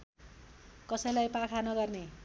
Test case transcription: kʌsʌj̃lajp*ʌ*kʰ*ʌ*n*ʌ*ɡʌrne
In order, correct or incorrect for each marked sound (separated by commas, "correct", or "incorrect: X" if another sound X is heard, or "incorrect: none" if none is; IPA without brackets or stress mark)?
incorrect: a, incorrect: a, correct